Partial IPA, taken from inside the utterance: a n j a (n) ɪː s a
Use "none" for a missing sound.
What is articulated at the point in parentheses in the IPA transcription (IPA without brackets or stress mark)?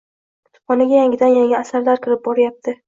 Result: ŋ